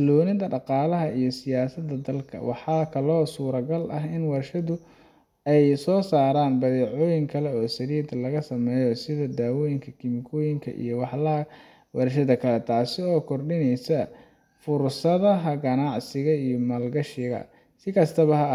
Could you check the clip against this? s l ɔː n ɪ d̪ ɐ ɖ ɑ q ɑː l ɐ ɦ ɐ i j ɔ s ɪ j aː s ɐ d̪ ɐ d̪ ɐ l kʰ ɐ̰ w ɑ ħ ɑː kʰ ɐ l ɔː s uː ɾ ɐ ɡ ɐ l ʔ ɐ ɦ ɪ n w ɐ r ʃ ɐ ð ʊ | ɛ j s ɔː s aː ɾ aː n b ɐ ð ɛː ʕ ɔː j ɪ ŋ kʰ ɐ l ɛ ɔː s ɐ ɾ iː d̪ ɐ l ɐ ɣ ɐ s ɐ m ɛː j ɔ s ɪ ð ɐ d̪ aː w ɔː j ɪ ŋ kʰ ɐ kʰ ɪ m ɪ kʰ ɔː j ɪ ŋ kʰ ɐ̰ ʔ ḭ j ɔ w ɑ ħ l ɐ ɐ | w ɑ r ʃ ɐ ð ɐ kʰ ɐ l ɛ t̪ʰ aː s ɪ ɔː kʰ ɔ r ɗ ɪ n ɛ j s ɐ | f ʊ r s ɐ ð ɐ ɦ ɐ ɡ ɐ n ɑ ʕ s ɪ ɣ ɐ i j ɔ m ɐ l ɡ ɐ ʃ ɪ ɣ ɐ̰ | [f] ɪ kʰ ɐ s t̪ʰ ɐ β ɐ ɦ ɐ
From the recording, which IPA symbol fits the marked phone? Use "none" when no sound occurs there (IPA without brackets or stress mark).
s